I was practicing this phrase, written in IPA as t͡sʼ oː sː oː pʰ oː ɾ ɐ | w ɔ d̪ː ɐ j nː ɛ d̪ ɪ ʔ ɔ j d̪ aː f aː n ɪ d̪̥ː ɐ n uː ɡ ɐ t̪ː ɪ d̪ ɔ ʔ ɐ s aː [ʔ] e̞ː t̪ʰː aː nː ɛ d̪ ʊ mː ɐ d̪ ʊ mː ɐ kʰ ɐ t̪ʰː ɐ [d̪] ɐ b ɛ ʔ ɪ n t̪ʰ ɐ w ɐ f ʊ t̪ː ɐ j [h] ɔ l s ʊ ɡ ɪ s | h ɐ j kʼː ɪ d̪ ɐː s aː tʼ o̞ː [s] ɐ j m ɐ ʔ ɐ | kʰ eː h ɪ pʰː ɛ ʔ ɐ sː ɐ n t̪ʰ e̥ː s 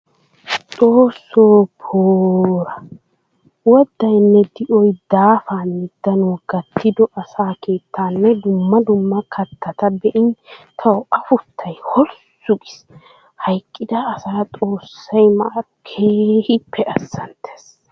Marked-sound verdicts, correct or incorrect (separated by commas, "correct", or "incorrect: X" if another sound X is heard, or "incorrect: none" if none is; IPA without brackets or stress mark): incorrect: k, incorrect: t̪, correct, incorrect: sː